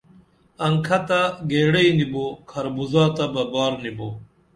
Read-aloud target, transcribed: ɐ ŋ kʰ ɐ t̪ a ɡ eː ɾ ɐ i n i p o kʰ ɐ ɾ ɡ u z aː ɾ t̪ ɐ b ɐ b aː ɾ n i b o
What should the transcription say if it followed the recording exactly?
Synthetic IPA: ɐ ŋ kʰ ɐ t̪ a ɡ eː ɽ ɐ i n i b o kʰ ɐ ɾ b u z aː t̪ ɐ b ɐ b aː ɾ n i b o